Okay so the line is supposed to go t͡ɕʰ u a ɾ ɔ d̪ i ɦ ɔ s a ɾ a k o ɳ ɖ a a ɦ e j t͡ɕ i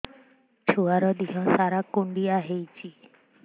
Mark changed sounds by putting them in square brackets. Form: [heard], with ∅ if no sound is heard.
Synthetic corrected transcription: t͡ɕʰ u a ɾ ɔ d̪ i ɦ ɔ s a ɾ a k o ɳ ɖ [i] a ɦ e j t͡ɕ i